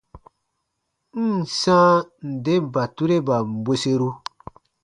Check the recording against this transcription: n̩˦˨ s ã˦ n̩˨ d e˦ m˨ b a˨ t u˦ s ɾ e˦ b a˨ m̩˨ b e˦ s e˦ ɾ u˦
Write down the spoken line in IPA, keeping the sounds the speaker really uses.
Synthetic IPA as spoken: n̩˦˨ s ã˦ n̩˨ d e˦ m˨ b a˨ t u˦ ɾ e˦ b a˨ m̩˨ b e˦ s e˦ ɾ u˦